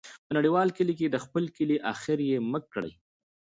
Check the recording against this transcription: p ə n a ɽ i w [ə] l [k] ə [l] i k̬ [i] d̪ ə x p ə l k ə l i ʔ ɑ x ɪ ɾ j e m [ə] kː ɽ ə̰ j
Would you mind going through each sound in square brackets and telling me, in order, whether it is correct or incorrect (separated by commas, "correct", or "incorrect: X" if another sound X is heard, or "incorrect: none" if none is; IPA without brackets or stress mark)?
incorrect: ɑ, correct, correct, incorrect: e, correct